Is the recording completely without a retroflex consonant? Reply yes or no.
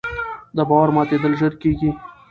yes